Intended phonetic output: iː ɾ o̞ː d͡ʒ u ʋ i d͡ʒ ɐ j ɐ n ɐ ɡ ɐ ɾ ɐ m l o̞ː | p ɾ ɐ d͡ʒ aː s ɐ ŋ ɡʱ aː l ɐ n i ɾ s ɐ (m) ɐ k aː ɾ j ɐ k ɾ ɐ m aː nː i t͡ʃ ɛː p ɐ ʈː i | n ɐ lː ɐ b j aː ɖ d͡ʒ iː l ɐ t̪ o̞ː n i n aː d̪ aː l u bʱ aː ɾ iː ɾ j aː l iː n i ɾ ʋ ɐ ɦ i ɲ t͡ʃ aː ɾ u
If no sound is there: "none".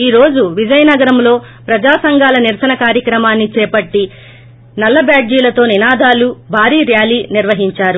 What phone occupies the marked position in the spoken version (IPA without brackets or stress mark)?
n